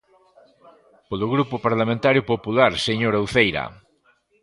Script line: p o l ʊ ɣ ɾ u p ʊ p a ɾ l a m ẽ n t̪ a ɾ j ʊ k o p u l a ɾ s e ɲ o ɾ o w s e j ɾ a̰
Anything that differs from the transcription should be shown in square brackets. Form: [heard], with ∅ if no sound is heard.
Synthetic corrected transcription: p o l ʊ ɣ ɾ u p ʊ p a ɾ l a m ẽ n t̪ a ɾ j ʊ [p] o p u l a ɾ s e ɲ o ɾ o w [θ] e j ɾ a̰